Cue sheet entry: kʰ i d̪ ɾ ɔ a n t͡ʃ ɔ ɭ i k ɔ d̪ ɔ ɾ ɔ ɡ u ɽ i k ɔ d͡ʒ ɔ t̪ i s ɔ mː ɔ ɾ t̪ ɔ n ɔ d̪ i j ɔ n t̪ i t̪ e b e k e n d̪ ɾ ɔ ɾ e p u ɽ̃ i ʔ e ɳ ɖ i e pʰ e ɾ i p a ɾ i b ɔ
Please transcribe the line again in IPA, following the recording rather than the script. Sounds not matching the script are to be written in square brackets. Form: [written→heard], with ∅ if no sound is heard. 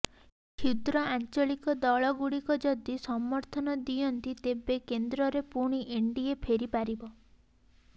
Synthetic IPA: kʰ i d̪ ɾ ɔ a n t͡ʃ ɔ ɭ i k ɔ d̪ ɔ [ɾ→ɭ] ɔ ɡ u ɽ i k ɔ d͡ʒ ɔ [t̪→d̪] i s ɔ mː ɔ ɾ [t̪→t̪ʰ] ɔ n ɔ d̪ i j ɔ n t̪ i t̪ e b e k e n d̪ ɾ ɔ ɾ e p u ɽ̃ i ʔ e ɳ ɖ i e pʰ e ɾ i p a ɾ i b ɔ